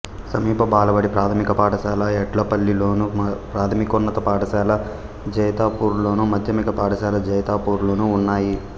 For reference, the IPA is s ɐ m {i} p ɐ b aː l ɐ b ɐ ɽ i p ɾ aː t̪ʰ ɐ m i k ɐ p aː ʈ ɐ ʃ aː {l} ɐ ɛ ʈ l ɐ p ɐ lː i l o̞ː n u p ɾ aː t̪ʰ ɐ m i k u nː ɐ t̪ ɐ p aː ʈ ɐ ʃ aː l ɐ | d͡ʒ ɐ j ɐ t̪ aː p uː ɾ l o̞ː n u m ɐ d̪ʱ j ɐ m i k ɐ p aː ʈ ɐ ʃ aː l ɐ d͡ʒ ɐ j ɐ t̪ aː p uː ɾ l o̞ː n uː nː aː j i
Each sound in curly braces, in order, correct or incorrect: incorrect: iː, correct

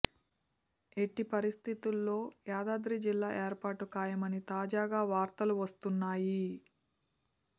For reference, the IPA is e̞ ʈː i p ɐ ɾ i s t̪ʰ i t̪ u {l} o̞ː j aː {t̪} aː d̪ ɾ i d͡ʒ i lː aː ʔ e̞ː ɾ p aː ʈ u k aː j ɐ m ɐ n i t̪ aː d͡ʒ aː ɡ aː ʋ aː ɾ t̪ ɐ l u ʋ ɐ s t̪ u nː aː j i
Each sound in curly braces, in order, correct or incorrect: incorrect: lː, incorrect: d̪

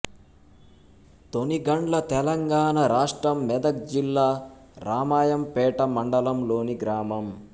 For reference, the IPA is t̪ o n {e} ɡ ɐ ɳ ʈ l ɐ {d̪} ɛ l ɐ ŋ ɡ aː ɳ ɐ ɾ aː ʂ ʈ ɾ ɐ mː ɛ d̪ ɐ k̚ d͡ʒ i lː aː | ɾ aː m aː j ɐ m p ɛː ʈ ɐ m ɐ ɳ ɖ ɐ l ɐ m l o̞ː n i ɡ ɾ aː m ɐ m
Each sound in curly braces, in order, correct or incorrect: incorrect: i, incorrect: t̪

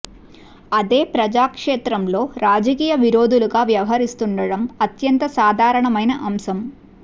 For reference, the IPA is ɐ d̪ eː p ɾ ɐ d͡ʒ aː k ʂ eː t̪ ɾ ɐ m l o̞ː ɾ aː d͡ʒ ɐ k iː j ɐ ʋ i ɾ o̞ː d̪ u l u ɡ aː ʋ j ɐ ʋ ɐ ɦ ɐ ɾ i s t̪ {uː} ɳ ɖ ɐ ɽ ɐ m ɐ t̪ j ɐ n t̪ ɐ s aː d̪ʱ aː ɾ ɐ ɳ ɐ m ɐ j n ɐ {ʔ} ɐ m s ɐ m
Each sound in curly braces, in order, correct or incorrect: incorrect: u, correct

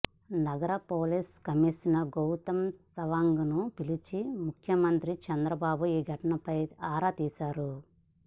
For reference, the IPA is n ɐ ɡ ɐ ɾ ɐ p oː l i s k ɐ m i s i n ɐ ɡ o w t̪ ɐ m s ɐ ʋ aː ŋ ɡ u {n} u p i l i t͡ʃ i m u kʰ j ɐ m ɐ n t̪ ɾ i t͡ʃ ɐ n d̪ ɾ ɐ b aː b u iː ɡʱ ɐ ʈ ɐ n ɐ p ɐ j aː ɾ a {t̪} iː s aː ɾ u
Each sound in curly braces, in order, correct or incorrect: correct, correct

